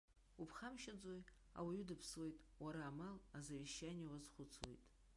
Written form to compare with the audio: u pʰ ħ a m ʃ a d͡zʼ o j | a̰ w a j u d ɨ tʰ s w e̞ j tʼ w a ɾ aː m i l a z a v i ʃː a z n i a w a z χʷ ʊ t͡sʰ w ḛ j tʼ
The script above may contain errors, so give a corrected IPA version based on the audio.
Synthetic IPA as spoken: u pʰ χ a m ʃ a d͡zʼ o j | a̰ w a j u d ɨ pʰ s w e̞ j tʼ w a ɾ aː m a l a z a v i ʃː a n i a w a z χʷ ʊ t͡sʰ w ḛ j tʼ